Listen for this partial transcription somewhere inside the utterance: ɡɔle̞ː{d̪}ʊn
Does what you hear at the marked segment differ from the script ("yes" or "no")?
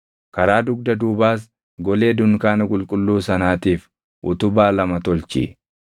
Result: no